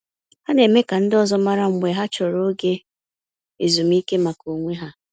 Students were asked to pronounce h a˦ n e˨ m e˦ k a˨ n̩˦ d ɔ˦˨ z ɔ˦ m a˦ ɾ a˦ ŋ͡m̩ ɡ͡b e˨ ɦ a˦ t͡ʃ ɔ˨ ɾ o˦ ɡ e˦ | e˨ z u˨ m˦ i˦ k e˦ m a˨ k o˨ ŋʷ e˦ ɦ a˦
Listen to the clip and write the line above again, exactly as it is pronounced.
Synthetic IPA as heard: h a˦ n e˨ m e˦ k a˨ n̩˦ d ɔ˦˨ z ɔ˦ m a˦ ɾ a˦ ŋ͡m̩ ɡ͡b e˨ ɦ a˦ t͡ʃ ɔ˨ ɾ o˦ ɡ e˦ | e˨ z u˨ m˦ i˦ k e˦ m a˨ k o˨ ŋʷ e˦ ɦ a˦